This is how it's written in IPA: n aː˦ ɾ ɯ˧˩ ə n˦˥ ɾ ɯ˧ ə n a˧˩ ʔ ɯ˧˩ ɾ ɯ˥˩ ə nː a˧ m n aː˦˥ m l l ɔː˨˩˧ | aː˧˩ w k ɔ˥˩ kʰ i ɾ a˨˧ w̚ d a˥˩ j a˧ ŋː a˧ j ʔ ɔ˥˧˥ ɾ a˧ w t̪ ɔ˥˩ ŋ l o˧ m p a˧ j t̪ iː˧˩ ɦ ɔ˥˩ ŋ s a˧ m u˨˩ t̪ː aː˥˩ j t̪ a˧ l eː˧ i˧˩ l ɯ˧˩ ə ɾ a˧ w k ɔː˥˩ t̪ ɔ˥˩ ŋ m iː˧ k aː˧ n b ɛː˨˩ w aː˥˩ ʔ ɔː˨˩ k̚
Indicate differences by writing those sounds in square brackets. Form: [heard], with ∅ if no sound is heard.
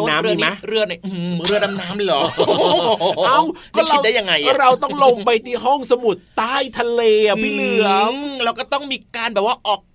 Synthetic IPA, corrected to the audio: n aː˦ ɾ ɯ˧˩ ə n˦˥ ɾ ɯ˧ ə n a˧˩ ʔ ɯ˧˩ ɾ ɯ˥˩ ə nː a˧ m n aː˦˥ m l l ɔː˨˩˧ | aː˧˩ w k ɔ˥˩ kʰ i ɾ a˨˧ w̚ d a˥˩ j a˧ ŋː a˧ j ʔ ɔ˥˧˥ ɾ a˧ w t̪ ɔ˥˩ ŋ l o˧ m p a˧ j t̪ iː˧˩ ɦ ɔ˥˩ ŋ s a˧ m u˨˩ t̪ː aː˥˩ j [t̪ʰ] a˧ l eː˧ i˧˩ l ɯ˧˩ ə ɾ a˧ w k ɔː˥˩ t̪ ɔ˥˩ ŋ m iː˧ k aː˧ n b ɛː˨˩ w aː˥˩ ʔ ɔː˨˩ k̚